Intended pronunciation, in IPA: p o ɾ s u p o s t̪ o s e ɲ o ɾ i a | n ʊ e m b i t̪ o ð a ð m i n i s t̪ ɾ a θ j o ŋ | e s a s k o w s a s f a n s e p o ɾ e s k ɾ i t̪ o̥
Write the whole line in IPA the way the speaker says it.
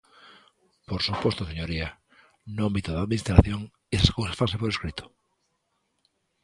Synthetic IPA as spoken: p o ɾ s u p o s t̪ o s e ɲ o ɾ i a | n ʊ a m b i t̪ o ð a ð m i n i s t̪ ɾ a θ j o ŋ | e s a s k o w s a s f a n s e p o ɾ e s k ɾ i t̪ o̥